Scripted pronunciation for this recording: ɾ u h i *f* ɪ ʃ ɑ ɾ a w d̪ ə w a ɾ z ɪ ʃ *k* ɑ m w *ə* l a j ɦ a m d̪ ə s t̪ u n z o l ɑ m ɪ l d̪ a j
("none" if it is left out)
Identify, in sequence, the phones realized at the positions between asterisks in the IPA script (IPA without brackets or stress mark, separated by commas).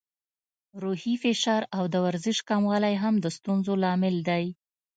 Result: f, k, ɑ